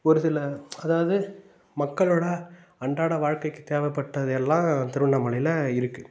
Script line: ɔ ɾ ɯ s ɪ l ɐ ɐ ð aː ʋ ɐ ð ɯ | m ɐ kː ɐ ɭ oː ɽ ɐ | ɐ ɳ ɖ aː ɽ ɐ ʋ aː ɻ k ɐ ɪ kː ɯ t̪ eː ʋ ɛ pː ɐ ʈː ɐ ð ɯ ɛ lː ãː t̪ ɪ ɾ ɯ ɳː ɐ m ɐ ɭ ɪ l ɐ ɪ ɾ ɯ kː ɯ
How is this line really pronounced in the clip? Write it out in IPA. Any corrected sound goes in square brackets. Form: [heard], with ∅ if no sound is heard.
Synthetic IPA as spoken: ɔ ɾ ɯ s ɪ l ɐ ɐ ð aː ʋ ɐ ð ɯ | m ɐ kː ɐ ɭ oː ɽ ɐ | ɐ ɳ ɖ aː ɽ ɐ ʋ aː ɻ k ɐ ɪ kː ɯ t̪ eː ʋ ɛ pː ɐ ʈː ɐ ð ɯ ɛ lː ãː t̪ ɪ ɾ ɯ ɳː ɐ m ɐ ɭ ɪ l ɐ ɪ ɾ ɯ kː ɯ